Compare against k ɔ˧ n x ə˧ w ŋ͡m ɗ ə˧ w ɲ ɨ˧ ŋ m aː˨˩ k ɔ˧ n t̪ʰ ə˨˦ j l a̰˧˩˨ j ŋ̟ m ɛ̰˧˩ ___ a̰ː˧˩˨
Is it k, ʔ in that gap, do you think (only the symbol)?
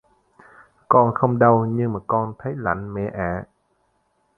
ʔ